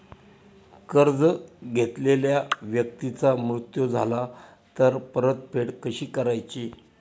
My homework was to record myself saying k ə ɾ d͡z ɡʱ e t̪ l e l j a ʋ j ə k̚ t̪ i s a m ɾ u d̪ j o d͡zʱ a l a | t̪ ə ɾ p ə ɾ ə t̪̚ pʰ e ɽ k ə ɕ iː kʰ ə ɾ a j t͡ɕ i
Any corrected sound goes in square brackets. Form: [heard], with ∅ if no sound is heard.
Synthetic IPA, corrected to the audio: k ə ɾ d͡z ɡʱ e t̪ l e l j a ʋ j ə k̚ t̪ i [t͡s] a m ɾ u [t̪] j o d͡zʱ a l a | t̪ ə ɾ p ə ɾ ə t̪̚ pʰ e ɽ k ə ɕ iː [k] ə ɾ a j t͡ɕ i